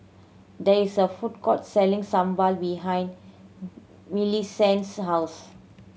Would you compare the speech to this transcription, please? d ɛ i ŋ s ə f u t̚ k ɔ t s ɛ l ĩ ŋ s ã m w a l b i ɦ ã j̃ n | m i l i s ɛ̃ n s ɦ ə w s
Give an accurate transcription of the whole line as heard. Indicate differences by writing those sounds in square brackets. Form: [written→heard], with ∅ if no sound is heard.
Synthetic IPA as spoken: d ɛ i [ŋ→∅] s ə f u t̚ k ɔ t s ɛ l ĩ ŋ s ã m [w→b] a l b i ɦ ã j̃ n | m i l i s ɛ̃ n s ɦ [ə→a] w s